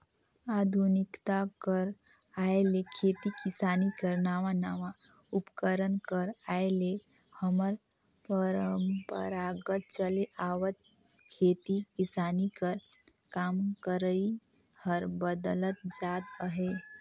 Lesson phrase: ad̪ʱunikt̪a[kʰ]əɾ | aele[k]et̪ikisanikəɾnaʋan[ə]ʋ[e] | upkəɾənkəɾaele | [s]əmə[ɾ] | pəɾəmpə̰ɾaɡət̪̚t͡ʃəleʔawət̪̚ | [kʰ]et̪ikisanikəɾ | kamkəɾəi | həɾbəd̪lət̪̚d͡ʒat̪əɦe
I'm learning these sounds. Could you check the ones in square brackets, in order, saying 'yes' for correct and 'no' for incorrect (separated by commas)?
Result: no, no, no, no, no, yes, yes